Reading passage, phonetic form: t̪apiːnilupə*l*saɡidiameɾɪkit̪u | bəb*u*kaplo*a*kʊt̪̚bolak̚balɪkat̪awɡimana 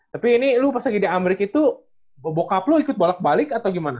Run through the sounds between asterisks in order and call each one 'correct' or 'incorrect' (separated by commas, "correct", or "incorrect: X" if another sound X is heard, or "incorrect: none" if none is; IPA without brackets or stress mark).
incorrect: r, incorrect: o, incorrect: i